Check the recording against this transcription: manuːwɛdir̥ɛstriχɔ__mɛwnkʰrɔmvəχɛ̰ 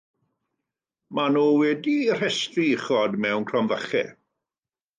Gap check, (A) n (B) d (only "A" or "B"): B